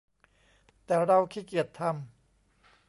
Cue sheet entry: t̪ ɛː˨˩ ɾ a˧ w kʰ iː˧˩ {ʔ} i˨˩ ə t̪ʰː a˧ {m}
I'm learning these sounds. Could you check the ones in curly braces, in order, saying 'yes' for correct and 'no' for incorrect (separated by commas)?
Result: no, yes